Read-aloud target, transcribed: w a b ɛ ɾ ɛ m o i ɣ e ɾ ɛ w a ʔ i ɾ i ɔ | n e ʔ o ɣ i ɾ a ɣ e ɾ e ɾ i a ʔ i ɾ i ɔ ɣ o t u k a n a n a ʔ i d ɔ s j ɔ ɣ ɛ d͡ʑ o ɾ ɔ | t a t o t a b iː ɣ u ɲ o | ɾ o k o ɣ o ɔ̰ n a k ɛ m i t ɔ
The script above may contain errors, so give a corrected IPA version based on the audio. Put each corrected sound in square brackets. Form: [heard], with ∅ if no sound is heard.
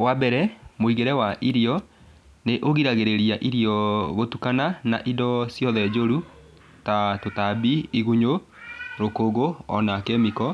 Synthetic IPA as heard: w a b ɛ ɾ ɛ m o i ɣ e ɾ ɛ w a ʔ i ɾ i ɔ | n e ʔ o ɣ i ɾ a ɣ e ɾ e ɾ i a ʔ i ɾ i ɔ ɣ o t u k a n a n a ʔ i d ɔ s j ɔ [ð] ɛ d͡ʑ o ɾ [u] | t a t o t a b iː ɣ u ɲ o | ɾ o k o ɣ o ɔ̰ n a k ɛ m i [k] ɔ

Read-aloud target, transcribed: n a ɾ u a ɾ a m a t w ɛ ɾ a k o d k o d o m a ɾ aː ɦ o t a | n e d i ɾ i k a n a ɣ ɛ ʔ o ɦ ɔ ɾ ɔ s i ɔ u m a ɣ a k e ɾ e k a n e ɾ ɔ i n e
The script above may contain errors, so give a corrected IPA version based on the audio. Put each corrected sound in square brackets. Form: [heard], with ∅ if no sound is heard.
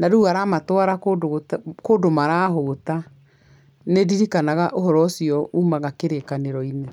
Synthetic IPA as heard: n a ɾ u a ɾ a m a t w [a] ɾ a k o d k o d o m a ɾ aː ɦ o t a | n e d i ɾ i k a n a ɣ [a] ʔ o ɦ ɔ ɾ ɔ s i ɔ u m a ɣ a k e ɾ e k a n e ɾ ɔ i n e

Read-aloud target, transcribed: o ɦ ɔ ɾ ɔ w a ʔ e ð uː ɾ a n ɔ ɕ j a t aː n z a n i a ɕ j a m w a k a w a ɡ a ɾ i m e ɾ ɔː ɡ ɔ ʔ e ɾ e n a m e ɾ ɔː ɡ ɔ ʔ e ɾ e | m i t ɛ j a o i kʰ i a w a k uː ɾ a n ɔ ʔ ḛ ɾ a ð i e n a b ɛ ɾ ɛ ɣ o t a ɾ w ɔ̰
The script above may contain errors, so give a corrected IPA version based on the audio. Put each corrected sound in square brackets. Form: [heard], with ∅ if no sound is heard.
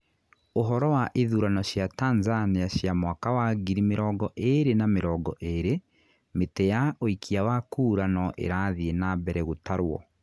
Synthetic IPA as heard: o ɦ ɔ ɾ ɔ w a ʔ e ð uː ɾ a n ɔ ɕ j a t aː n z a n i a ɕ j a m w a k a w a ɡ [i] ɾ i m e ɾ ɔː ɡ ɔ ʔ e ɾ e n a m e ɾ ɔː ɡ ɔ ʔ e ɾ e | m [e] t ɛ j a o i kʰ i a w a k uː ɾ a n ɔ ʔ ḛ ɾ a ð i e n a b ɛ ɾ ɛ ɣ o t a ɾ w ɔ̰

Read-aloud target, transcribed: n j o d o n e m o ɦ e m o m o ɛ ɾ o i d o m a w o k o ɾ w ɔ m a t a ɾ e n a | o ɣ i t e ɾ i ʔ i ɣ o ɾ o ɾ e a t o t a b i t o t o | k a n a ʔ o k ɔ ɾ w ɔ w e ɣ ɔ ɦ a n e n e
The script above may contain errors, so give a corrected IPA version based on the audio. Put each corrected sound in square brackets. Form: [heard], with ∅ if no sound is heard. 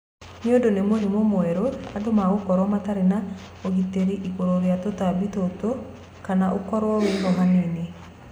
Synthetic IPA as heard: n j o d o n e m o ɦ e m o m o ɛ ɾ o [a] d o m a [ɣ] o k [ɔ] ɾ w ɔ m a t a ɾ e n a | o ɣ i t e ɾ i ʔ i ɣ o ɾ o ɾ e a t o t a b i t o t o | k a n a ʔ o k ɔ ɾ w ɔ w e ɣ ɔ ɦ a n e n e

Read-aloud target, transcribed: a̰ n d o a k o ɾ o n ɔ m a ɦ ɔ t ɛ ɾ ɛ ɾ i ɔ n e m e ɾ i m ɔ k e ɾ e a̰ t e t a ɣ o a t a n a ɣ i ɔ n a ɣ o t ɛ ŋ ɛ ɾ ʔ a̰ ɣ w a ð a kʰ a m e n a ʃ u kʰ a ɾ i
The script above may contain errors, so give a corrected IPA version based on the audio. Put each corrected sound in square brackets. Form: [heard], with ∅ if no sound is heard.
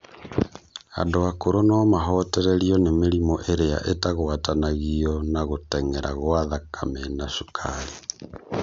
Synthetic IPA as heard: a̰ n d o a k o ɾ o n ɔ m a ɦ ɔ t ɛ ɾ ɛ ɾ i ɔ n e m e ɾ i m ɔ [ʔ] e ɾ e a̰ [ʔ] e t a ɣ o a t a n a ɣ i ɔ n a ɣ o t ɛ ŋ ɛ ɾ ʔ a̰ ɣ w a ð a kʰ a m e n a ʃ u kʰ a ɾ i

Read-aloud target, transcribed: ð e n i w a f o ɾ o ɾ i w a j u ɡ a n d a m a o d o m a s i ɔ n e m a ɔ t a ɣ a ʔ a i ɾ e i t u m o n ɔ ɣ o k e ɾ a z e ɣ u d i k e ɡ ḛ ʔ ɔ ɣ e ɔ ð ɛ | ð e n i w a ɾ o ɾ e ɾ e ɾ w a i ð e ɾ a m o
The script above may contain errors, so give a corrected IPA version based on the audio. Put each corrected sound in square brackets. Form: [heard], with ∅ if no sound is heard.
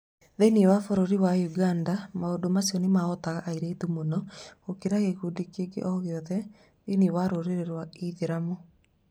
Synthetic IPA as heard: ð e n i w a f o ɾ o ɾ i w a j u ɡ a n d a m a o d o m a s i ɔ n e m a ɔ t a ɣ a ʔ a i ɾ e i t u m o n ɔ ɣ o k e ɾ a [ɣ] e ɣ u d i k e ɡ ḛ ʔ ɔ ɣ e ɔ ð ɛ | ð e n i w a ɾ o ɾ e ɾ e ɾ w a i ð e ɾ a m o

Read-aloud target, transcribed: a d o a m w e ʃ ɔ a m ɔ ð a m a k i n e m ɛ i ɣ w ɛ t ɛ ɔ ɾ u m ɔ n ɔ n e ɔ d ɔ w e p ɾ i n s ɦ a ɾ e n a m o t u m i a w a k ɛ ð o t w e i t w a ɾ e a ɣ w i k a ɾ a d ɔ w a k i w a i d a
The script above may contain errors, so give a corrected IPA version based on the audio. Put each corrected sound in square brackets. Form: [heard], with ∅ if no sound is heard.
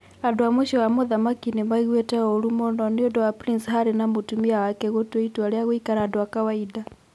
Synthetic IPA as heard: a d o a m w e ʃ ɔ a m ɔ ð a m a k i n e m [a] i ɣ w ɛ t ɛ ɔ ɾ u m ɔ n ɔ n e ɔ d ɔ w [a] p ɾ i n s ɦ a ɾ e n a m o t u m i a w a k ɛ [ɣ] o t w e i t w a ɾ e a ɣ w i k a ɾ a d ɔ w a k [a] w a i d a

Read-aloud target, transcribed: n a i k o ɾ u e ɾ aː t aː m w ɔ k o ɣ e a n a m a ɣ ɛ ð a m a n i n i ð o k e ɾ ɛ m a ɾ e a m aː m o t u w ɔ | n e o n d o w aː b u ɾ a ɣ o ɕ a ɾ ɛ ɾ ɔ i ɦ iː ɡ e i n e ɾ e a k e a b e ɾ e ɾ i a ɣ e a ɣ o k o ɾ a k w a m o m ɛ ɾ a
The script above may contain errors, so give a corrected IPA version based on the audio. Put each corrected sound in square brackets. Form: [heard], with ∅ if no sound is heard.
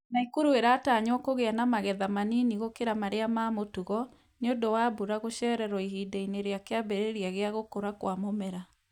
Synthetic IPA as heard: n a i k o ɾ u e ɾ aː t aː [ɲ] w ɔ k o ɣ e a n a m a ɣ ɛ ð a m a n i n i [ɣ] o k e ɾ [a] m a ɾ e a m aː m o t u [ɣ] ɔ | n e o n d o w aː b u ɾ a ɣ o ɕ [ɛ] ɾ ɛ ɾ ɔ i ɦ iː [d] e i n e ɾ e a k e a b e ɾ e ɾ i a ɣ e a ɣ o k o ɾ a k w a m o m ɛ ɾ a

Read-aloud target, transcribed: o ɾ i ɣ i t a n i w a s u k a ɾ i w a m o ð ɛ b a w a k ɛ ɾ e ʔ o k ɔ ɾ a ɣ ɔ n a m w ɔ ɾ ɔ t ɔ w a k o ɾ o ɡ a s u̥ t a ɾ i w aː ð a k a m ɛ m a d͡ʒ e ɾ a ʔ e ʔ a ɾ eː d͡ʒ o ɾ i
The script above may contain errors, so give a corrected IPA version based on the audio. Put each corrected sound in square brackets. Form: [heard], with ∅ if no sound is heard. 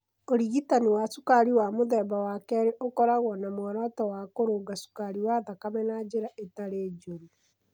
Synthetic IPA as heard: o ɾ i ɣ i t a n i w a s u k a ɾ i w a m o ð ɛ b a w a k ɛ ɾ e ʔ o k ɔ ɾ a ɣ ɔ n a m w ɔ ɾ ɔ t ɔ w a k o ɾ o ɡ a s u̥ [k] a ɾ i w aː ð a k a m ɛ [n] a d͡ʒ e ɾ a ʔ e [t] a ɾ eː d͡ʒ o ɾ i

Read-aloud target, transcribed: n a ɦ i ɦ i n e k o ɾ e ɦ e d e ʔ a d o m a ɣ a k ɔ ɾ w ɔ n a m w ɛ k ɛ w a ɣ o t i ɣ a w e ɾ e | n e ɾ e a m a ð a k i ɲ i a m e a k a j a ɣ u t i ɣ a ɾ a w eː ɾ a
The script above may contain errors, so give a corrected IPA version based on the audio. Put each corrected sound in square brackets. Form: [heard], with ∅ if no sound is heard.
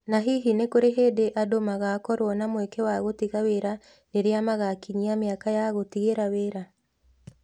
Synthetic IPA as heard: n a ɦ i ɦ i n e k o ɾ e ɦ e d e ʔ a d o m a ɣ a k ɔ ɾ w ɔ n a m w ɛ k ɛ w a ɣ o t i ɣ a w e ɾ [a] | n e ɾ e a m a [ɣ] a k i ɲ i a m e a k a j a ɣ [o] t i ɣ [e] ɾ a w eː ɾ a

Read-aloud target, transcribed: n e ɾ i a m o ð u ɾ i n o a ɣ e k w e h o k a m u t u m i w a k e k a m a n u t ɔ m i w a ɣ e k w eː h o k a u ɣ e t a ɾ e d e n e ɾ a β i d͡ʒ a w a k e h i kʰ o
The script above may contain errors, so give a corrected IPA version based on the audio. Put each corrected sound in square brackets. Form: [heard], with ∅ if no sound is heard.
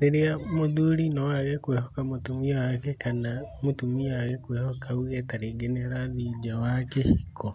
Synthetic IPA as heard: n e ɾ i a m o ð u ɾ i n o a ɣ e k w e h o k a m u t u m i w a k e k a [n] a [m] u t [u] m i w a ɣ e k w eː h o k a u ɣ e t a ɾ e [ɡ] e n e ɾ a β i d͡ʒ a w a k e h i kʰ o

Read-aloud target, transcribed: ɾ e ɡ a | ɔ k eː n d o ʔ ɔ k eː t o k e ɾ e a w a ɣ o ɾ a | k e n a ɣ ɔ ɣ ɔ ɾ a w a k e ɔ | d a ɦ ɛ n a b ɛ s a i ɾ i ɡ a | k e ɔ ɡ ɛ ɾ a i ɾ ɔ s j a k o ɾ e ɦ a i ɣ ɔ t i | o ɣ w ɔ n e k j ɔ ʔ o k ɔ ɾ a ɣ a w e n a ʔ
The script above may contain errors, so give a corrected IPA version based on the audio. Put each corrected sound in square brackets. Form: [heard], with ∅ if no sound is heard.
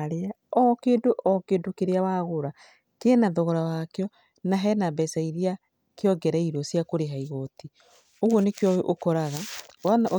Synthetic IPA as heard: ɾ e [∅] a | ɔ k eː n d o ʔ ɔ k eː [d] o k e ɾ e a w a ɣ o ɾ a | k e n a [ð] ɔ ɣ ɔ ɾ a w a k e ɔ | [n] a ɦ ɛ n a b ɛ s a i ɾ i [∅] a | k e ɔ ɡ ɛ ɾ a i ɾ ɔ s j a k o ɾ e ɦ a i ɣ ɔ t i | o ɣ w ɔ n e k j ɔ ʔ o k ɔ ɾ a ɣ a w [a] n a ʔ

